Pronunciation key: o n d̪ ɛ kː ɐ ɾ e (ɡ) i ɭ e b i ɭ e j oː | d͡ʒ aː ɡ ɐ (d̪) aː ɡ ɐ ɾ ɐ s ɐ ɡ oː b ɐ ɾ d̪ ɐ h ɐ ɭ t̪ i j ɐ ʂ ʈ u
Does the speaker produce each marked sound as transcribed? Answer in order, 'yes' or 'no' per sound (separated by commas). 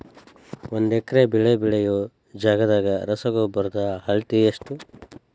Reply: no, yes